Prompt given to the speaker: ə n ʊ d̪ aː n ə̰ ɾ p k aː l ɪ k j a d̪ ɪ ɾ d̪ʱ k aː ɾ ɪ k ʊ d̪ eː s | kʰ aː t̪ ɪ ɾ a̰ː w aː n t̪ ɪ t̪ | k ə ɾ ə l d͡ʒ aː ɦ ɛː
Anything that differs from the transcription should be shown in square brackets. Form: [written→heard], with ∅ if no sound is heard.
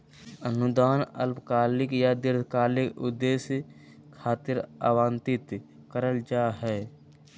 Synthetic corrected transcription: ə n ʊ d̪ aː n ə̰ [ɾ→l] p k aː l ɪ k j a d̪ ɪ ɾ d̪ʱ k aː [ɾ→l] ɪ k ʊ d̪ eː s | kʰ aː t̪ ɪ ɾ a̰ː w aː n t̪ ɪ t̪ | k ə ɾ ə l d͡ʒ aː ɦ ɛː

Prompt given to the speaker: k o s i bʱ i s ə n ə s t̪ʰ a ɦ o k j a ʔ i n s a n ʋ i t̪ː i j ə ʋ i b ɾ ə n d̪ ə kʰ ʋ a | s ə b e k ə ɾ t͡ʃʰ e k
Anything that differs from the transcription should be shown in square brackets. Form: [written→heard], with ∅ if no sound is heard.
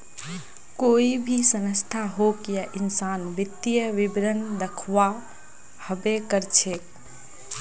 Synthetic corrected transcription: k o [s→∅] i bʱ i s ə n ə s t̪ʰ a ɦ o k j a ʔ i n s a n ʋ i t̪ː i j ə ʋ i b ɾ ə n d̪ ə kʰ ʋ a | [s→h] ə b e k ə ɾ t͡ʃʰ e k

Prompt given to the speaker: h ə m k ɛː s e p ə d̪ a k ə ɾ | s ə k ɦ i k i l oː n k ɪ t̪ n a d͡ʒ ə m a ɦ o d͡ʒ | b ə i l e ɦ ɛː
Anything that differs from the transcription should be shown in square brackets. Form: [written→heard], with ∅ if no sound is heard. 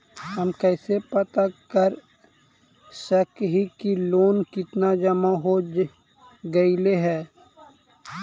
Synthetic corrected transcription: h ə m k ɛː s e p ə [d̪→t̪] a k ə ɾ | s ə k ɦ i k i l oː n k ɪ t̪ n a d͡ʒ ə m a ɦ o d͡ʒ | [b→ɡ] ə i l e ɦ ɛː

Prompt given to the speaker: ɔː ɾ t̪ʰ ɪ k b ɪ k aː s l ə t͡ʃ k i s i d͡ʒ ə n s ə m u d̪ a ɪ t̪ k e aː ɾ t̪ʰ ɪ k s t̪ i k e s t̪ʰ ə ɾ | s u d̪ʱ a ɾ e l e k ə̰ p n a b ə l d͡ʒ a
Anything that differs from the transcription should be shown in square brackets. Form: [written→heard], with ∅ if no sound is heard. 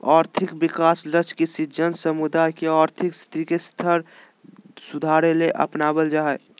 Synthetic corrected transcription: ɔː ɾ t̪ʰ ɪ k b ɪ k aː s l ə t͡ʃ k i s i d͡ʒ ə n s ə m u d̪ a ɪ [t̪→∅] k e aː ɾ t̪ʰ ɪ k s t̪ i k e s t̪ʰ ə ɾ | s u d̪ʱ a ɾ e l e [k→ʔ] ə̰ p n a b ə l d͡ʒ a

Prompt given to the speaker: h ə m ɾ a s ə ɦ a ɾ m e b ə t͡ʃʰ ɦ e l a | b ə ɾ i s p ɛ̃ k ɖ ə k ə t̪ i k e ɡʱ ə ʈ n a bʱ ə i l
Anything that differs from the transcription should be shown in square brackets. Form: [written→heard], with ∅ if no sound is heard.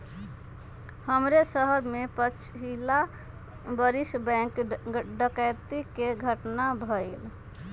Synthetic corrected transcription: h ə m ɾ [a→e] s ə ɦ [a→ə] ɾ m e [b→p] ə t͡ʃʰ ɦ [e→i] l a | b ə ɾ i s [p→b] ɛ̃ k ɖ ə k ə t̪ i k e ɡʱ ə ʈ n a bʱ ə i l

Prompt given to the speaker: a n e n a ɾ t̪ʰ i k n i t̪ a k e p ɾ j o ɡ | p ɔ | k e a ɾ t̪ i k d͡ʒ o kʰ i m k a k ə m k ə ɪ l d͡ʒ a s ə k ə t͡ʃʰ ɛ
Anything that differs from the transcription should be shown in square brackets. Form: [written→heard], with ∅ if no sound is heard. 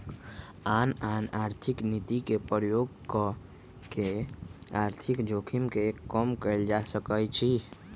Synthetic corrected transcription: a n [e→a] n a ɾ t̪ʰ i k n i t̪ [a→i] k e p ɾ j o ɡ | [p→k] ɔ | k e a ɾ [t̪→t̪ʰ] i k d͡ʒ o kʰ i m k [a→e] k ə m k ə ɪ l d͡ʒ a s ə k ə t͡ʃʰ [ɛ→i]

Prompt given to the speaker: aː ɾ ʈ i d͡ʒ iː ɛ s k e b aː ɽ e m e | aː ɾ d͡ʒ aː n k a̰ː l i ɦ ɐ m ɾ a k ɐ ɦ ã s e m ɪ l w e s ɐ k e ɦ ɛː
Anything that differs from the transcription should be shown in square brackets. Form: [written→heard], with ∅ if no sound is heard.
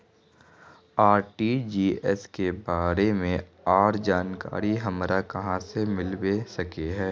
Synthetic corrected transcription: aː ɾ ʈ i d͡ʒ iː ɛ s k e b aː [ɽ→ɾ] e m [e→ẽ] | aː ɾ d͡ʒ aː n k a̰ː [l→ɾ] i ɦ ɐ m ɾ a k ɐ ɦ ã s e m ɪ l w e s ɐ k e ɦ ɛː

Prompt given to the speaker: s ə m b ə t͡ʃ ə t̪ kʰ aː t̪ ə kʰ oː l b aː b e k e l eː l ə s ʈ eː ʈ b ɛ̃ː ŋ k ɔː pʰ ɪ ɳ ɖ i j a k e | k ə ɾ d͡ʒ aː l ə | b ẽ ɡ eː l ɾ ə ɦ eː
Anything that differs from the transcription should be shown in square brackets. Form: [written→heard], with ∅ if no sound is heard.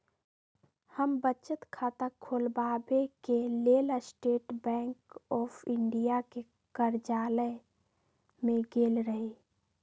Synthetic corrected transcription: [s→h] ə m b ə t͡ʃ ə t̪ kʰ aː t̪ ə kʰ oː l b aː b e k e l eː l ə s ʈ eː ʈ b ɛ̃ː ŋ k ɔː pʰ ɪ ɳ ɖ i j a k e | k ə ɾ d͡ʒ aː l ə | [b→m] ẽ ɡ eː l ɾ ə ɦ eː

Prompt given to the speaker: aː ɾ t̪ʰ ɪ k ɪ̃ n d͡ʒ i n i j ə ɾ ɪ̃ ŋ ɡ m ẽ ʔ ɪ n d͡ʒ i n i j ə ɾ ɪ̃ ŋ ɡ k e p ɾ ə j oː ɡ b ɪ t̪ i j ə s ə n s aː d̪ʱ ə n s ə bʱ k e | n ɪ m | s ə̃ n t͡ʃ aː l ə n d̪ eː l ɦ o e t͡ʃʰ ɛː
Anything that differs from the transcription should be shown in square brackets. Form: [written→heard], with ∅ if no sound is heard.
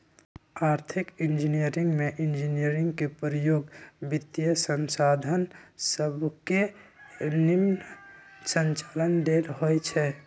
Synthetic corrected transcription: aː ɾ t̪ʰ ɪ k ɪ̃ n d͡ʒ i n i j ə ɾ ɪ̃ ŋ ɡ m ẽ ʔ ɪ n d͡ʒ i n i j ə ɾ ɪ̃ ŋ ɡ k e p ɾ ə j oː ɡ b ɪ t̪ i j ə s ə n s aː d̪ʱ ə n s ə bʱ k e | n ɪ m | s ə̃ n t͡ʃ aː l ə n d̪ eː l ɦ o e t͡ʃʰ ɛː

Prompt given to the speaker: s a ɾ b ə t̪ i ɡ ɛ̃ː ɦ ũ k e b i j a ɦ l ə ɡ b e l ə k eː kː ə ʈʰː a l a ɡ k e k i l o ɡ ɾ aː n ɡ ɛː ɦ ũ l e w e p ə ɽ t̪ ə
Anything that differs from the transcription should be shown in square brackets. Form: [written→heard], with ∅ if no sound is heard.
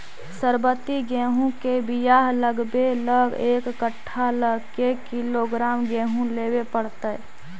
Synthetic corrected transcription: s [a→ə] ɾ b ə t̪ i ɡ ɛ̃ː ɦ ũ k e b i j a ɦ l ə ɡ b e l ə [k→ɡ] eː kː ə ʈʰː a l [a→ə] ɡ k e k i l o ɡ ɾ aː [n→m] ɡ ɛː ɦ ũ l e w e p ə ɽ t̪ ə

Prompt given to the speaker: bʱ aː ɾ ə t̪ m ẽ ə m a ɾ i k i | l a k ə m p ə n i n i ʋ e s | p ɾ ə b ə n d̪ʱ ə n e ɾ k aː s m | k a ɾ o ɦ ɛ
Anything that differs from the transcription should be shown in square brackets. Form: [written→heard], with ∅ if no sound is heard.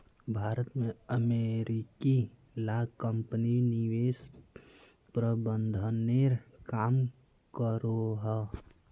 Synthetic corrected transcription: bʱ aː ɾ ə t̪ m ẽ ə m [a→e] ɾ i k i | l a k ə m p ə n i n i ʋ e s | p ɾ ə b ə n d̪ʱ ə n e ɾ k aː [s→∅] m | k [a→ə] ɾ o ɦ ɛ

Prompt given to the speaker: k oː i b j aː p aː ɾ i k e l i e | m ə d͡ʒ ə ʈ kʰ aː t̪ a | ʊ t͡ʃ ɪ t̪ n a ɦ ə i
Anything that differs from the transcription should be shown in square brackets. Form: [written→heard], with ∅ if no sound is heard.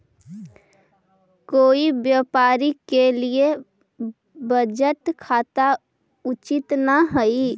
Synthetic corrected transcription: k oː i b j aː p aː ɾ i k e l i e | [m→b] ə d͡ʒ ə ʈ kʰ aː t̪ a | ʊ t͡ʃ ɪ t̪ n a ɦ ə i

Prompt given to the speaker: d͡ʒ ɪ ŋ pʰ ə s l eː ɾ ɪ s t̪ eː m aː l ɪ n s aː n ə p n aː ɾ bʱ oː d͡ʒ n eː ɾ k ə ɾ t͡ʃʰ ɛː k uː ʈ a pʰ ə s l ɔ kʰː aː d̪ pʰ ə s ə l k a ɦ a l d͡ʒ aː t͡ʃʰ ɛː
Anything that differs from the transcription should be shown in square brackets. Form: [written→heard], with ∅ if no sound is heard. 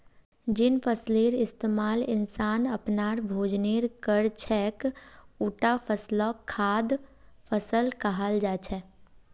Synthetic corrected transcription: d͡ʒ ɪ [ŋ→n] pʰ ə s l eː ɾ ɪ s t̪ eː m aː l ɪ n s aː n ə p n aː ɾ bʱ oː d͡ʒ n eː ɾ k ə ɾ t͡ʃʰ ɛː k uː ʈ a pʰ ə s l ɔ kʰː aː d̪ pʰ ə s ə l k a ɦ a l d͡ʒ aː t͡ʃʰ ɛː

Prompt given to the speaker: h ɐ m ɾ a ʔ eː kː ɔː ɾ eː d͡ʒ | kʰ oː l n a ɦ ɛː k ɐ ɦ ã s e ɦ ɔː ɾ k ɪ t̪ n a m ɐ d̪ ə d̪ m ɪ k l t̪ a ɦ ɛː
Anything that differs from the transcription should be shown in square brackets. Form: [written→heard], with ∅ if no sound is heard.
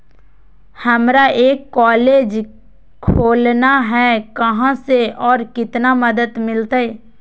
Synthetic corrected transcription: h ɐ m ɾ a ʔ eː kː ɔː [ɾ→l] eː d͡ʒ | kʰ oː l n a ɦ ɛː k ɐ ɦ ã s e [ɦ→∅] ɔː ɾ k ɪ t̪ n a m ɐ d̪ ə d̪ m ɪ [k→∅] l t̪ a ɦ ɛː

